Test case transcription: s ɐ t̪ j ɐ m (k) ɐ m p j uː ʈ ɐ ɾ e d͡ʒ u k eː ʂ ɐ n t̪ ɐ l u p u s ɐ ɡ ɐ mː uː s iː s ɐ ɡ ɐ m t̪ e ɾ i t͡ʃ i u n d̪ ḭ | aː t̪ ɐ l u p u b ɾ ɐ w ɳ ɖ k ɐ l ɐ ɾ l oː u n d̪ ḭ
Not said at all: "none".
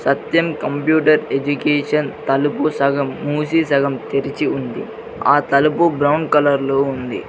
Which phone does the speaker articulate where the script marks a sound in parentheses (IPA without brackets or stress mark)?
k